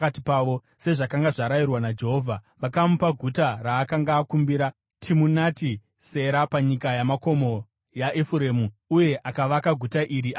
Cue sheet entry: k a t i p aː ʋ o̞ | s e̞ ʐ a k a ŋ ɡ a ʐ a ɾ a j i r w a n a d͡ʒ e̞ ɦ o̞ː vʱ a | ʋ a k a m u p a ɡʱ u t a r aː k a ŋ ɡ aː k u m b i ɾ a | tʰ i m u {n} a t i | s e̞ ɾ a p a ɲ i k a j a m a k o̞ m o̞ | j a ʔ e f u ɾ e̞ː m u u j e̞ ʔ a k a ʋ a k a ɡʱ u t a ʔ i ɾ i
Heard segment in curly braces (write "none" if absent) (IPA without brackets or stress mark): n